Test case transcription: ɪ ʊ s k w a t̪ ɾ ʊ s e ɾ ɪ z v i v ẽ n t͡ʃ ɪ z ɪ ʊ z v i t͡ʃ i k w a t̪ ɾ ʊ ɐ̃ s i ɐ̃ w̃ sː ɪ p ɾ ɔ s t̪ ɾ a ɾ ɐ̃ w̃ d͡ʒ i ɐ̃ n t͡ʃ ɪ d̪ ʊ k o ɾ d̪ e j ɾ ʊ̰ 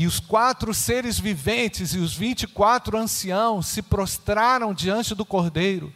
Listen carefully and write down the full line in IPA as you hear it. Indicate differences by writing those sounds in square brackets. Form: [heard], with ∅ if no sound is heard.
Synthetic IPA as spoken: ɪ ʊ s k w a t̪ ɾ ʊ s e ɾ ɪ z v i v ẽ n t͡ʃ ɪ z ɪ ʊ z v [ĩ] t͡ʃ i k w a t̪ ɾ ʊ ɐ̃ s i ɐ̃ w̃ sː ɪ p ɾ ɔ s t̪ ɾ a ɾ ɐ̃ w̃ d͡ʒ i ɐ̃ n t͡ʃ ɪ d̪ ʊ k o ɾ d̪ e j ɾ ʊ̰